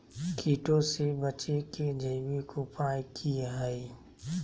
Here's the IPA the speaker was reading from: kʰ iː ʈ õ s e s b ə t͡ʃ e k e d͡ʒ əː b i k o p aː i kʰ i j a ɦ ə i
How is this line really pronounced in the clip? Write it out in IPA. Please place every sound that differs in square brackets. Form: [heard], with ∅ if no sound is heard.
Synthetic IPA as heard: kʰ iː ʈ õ s e [∅] b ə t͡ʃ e k e d͡ʒ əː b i k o p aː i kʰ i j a ɦ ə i